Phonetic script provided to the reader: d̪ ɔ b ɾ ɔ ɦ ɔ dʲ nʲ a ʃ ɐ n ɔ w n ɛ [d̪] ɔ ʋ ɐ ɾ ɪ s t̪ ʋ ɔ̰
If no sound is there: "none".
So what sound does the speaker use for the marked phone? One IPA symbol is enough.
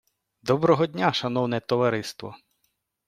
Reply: t̪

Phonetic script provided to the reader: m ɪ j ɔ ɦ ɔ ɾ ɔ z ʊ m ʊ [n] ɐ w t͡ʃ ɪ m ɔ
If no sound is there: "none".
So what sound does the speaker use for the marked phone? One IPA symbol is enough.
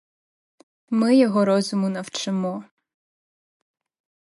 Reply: n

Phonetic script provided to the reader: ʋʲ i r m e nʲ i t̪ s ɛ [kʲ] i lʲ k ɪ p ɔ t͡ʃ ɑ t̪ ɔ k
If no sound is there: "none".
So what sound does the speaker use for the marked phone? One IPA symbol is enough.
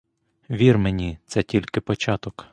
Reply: tʲ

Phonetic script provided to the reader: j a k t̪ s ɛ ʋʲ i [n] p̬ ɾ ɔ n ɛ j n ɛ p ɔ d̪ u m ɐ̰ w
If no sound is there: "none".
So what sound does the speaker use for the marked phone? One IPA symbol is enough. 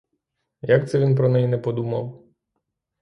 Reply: n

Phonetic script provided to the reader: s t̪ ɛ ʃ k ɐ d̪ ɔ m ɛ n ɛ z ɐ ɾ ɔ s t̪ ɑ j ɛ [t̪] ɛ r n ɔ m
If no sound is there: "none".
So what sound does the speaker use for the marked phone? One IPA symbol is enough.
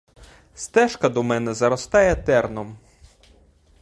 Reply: t̪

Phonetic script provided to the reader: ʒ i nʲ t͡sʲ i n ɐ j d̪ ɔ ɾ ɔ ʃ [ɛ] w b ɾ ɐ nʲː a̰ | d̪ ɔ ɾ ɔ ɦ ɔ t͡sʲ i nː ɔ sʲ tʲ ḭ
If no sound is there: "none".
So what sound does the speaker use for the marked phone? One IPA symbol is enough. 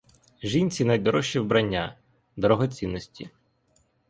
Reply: i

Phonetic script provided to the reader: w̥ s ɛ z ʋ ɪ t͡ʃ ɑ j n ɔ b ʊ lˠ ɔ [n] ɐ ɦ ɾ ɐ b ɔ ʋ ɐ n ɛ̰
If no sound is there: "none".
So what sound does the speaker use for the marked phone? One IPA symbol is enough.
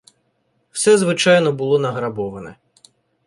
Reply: n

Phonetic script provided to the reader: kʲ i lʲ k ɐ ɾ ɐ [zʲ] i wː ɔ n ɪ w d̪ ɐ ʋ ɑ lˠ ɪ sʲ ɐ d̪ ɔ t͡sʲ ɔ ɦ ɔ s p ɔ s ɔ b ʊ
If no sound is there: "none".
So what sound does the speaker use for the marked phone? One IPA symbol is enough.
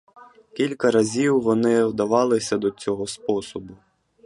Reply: zʲ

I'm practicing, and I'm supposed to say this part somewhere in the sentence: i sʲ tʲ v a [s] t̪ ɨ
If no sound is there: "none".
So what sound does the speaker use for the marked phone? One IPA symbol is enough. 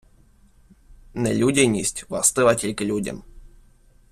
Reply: s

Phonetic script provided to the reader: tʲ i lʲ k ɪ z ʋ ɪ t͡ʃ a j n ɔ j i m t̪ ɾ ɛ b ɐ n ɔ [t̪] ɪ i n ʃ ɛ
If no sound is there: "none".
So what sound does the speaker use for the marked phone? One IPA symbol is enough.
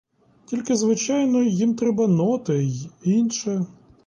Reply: t̪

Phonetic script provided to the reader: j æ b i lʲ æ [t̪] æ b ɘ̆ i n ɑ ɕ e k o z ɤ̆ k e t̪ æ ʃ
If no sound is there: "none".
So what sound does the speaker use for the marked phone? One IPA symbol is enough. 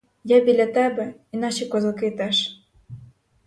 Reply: t̪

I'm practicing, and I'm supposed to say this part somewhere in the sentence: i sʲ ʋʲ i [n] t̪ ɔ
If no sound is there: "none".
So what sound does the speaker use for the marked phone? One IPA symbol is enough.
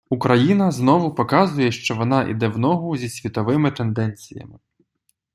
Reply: none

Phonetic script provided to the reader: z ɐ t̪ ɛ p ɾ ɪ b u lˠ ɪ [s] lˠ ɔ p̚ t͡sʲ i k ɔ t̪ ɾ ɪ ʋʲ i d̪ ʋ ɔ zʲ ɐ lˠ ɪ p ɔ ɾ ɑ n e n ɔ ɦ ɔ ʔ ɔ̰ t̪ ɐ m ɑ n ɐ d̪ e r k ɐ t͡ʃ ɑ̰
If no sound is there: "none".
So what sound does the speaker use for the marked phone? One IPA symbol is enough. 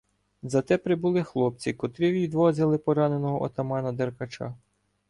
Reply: x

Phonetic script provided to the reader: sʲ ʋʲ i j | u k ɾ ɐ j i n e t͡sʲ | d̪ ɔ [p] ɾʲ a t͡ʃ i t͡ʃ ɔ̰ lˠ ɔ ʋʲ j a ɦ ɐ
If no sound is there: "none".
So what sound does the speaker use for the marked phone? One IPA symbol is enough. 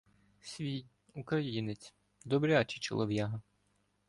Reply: b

